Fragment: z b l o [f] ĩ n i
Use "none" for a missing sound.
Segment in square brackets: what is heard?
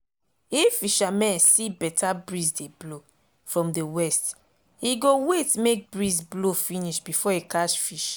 f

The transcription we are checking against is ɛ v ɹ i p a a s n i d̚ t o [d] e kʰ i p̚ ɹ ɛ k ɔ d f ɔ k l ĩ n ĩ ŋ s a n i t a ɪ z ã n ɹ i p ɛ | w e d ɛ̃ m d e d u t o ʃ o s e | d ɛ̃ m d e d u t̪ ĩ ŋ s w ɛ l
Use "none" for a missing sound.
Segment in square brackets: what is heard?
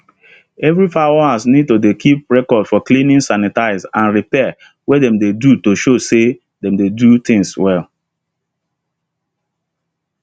d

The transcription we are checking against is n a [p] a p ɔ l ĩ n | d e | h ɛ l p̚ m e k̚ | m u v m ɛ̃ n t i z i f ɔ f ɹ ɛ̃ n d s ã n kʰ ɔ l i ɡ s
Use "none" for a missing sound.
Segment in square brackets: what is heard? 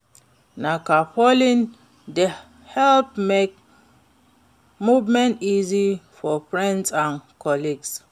k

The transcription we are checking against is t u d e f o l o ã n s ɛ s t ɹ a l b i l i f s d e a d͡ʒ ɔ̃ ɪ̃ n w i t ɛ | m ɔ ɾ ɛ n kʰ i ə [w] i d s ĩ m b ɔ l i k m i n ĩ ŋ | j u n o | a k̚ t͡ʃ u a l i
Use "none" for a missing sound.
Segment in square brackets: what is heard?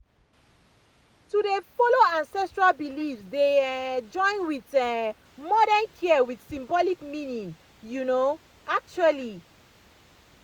w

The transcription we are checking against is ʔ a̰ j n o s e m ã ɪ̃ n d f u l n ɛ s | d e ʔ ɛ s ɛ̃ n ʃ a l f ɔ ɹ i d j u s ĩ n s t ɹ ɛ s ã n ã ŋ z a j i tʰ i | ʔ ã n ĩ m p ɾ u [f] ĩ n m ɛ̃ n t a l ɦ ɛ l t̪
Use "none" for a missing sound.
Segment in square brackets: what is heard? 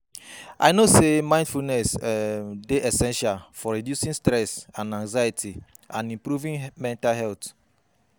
v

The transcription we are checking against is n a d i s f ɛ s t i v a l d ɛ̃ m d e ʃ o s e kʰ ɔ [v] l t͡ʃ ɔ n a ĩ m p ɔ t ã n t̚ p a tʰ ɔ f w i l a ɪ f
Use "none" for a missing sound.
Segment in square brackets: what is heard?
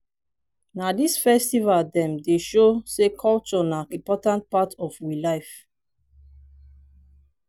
none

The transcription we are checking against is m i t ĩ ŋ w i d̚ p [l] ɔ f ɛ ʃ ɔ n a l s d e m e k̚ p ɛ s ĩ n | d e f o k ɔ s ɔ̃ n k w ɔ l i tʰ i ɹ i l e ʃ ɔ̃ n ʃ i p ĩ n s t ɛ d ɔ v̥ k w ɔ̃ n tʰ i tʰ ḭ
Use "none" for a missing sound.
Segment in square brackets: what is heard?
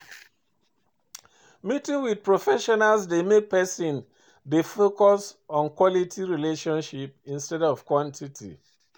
ɹ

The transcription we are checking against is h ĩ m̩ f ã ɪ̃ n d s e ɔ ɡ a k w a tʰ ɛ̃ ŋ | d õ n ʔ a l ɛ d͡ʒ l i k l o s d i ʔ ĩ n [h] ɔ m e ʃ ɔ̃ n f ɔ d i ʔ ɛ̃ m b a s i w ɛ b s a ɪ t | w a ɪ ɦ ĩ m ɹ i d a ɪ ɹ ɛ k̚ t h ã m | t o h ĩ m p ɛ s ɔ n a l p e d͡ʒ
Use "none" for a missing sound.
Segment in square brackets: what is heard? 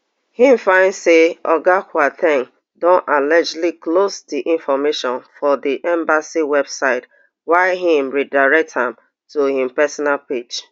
f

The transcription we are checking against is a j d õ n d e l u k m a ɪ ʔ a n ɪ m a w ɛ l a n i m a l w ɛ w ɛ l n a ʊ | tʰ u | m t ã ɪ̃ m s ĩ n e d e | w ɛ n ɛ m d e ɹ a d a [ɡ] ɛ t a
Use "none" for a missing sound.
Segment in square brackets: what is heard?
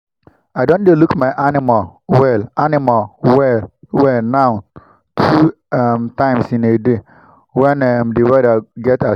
ɡ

